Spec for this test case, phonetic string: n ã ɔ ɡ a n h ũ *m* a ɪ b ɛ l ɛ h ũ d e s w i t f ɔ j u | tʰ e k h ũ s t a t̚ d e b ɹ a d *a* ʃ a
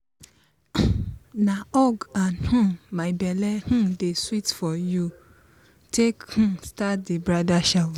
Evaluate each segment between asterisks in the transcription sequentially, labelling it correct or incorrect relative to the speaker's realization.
correct, correct

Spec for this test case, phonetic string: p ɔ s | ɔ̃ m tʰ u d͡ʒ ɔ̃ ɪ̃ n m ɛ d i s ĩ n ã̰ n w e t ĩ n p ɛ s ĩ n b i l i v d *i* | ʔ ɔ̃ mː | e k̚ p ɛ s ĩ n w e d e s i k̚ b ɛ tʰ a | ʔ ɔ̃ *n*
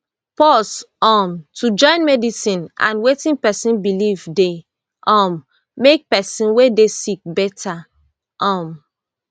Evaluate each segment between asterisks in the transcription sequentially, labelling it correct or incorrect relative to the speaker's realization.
incorrect, incorrect

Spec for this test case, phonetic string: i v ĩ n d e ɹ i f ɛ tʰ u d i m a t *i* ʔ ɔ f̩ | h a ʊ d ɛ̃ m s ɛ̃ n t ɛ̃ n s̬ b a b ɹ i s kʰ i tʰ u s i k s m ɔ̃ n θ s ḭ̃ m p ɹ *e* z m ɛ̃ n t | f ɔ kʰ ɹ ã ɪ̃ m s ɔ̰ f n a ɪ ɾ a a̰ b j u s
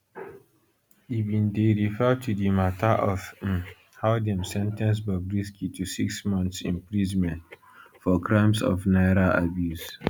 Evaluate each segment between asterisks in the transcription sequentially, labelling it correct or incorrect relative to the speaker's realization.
incorrect, incorrect

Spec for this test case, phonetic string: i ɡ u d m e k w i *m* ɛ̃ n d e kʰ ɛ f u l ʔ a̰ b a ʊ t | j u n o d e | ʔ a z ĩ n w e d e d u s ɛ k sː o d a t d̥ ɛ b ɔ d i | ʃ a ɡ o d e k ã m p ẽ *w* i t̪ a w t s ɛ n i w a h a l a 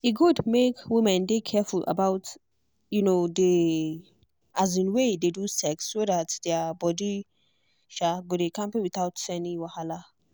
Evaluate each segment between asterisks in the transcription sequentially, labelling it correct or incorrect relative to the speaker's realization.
correct, correct

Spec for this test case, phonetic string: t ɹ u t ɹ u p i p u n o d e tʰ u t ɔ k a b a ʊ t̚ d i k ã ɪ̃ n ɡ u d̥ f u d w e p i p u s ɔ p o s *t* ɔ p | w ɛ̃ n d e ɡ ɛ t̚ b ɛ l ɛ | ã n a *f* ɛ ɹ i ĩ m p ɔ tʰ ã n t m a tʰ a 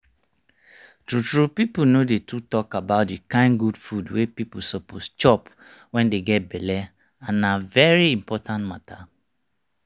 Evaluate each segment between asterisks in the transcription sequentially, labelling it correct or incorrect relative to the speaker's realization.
incorrect, incorrect

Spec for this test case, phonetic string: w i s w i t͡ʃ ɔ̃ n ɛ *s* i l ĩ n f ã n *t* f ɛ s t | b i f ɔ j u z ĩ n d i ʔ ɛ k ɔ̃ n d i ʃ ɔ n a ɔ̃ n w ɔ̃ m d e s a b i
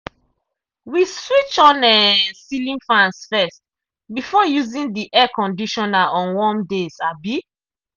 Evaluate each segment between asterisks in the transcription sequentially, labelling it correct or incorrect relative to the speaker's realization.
correct, incorrect

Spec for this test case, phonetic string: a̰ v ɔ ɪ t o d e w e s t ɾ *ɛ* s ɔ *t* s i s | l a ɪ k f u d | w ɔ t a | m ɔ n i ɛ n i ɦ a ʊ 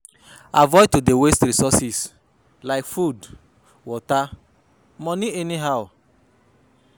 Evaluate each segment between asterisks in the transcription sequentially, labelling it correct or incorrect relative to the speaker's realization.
incorrect, incorrect

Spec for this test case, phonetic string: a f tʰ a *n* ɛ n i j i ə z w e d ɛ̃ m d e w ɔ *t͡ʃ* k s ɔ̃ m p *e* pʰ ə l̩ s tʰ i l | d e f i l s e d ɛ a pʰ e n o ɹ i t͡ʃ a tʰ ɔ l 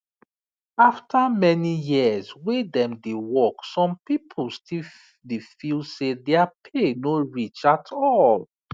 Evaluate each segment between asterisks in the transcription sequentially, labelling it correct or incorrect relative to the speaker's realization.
incorrect, incorrect, incorrect

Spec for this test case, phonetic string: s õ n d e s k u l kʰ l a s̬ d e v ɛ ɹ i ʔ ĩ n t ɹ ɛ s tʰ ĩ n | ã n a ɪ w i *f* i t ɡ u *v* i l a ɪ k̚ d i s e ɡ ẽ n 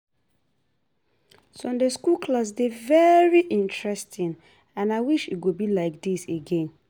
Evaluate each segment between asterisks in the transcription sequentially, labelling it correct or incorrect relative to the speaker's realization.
incorrect, incorrect

